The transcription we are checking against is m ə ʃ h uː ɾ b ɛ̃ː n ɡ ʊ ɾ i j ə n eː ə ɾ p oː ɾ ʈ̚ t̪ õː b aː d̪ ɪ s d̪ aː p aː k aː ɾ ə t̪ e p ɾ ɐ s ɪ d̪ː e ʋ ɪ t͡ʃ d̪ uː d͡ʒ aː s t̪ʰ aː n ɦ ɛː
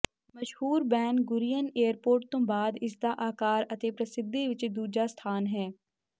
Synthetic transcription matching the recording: m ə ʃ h uː ɾ b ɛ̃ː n ɡ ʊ ɾ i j ə n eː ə ɾ p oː ɾ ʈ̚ t̪ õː b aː d̪ ɪ s d̪ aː ʔ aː k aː ɾ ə t̪ e p ɾ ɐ s ɪ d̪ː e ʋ ɪ t͡ʃ d̪ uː d͡ʒ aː s t̪ʰ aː n ɦ ɛː

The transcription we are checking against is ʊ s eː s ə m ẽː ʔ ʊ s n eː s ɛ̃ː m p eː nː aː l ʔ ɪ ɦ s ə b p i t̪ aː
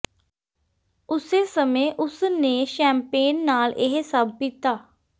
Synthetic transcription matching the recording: ʊ s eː s ə m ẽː ʔ ʊ s n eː ʃ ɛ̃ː m p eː nː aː l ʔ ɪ ɦ s ə b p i t̪ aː

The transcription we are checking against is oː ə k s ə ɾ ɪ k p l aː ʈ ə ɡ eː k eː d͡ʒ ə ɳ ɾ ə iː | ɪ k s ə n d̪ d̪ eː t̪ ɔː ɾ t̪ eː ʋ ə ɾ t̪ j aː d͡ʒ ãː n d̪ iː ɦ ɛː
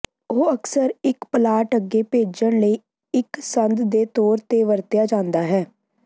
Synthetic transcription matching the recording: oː ə k s ə ɾ ɪ k p l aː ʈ ə ɡ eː p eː d͡ʒ ə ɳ l ə iː | ɪ k s ə n d̪ d̪ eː t̪ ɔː ɾ t̪ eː ʋ ə ɾ t̪ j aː d͡ʒ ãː n d̪ aː ɦ ɛː

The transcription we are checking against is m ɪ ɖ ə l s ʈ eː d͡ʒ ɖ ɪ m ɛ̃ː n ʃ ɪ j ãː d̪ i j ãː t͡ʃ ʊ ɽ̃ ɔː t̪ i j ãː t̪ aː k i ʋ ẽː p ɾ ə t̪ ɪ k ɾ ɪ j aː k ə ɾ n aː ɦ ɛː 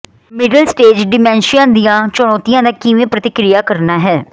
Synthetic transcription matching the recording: m ɪ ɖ ə l s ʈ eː d͡ʒ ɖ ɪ m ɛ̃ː n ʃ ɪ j ãː d̪ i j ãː t͡ʃ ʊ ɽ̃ ɔː t̪ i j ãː d̪ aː k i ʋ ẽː p ɾ ə t̪ ɪ k ɾ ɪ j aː k ə ɾ n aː ɦ ɛː

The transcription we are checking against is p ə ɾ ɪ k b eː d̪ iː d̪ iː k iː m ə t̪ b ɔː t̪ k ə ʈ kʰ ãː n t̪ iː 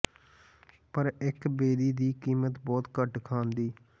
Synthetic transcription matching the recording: p ə ɾ ɪ k b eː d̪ iː d̪ iː k iː m ə t̪ b ɔː t̪ k ə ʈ kʰ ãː n d̪ iː

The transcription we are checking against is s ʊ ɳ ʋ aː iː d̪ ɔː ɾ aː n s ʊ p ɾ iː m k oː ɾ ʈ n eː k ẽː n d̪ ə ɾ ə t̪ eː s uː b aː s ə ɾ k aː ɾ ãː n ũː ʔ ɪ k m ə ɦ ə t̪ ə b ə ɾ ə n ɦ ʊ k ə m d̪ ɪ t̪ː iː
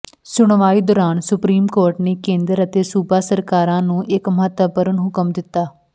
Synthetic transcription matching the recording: s ʊ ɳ ʋ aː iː d̪ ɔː ɾ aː n s ʊ p ɾ iː m k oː ɾ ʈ n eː k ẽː n d̪ ə ɾ ə t̪ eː s uː b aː s ə ɾ k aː ɾ ãː n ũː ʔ ɪ k m ə ɦ ə t̪ ə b ə ɾ ə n ɦ ʊ k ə m d̪ ɪ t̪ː aː

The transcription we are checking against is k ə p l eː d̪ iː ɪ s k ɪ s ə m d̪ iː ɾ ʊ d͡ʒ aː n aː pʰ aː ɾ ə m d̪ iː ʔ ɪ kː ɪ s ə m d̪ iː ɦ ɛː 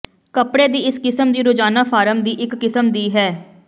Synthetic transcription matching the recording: k ə p ɽ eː d̪ iː ɪ s k ɪ s ə m d̪ iː ɾ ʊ d͡ʒ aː n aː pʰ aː ɾ ə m d̪ iː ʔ ɪ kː ɪ s ə m d̪ iː ɦ ɛː

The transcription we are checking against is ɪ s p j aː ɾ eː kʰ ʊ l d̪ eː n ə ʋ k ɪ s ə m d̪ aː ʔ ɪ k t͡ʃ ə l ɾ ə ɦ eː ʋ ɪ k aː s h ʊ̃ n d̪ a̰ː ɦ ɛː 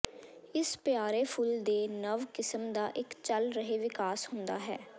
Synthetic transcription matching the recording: ɪ s p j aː ɾ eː pʰ ʊ l d̪ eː n ə ʋ k ɪ s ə m d̪ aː ʔ ɪ k t͡ʃ ə l ɾ ə ɦ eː ʋ ɪ k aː s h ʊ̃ n d̪ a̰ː ɦ ɛː

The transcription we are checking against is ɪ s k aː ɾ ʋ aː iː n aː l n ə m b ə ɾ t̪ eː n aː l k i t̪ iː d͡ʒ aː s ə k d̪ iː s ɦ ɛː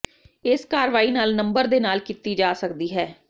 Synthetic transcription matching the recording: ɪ s k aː ɾ ʋ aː iː n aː l n ə m b ə ɾ d̪ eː n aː l k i t̪ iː d͡ʒ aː s ə k d̪ iː ɦ ɛː

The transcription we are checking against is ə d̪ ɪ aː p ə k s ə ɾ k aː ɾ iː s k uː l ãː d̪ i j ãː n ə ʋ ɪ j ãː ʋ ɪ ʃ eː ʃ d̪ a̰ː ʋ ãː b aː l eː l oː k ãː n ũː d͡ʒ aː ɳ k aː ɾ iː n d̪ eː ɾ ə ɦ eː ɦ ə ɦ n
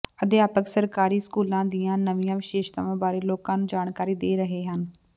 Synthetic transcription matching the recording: ə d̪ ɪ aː p ə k s ə ɾ k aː ɾ iː s k uː l ãː d̪ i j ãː n ə ʋ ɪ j ãː ʋ ɪ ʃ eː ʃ t̪ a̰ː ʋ ãː b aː ɾ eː l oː k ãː n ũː d͡ʒ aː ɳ k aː ɾ iː d̪ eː ɾ ə ɦ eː ɦ ə n

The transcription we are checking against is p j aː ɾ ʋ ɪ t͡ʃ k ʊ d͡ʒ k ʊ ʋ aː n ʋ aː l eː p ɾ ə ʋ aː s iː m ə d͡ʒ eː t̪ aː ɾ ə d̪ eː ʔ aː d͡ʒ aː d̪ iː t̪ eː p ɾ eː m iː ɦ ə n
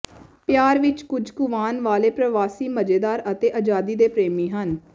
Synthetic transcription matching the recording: p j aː ɾ ʋ ɪ t͡ʃ k ʊ d͡ʒ k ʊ ʋ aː n ʋ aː l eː p ɾ ə ʋ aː s iː m ə d͡ʒ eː d̪ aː ɾ ə t̪ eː ʔ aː d͡ʒ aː d̪ iː d̪ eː p ɾ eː m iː ɦ ə n

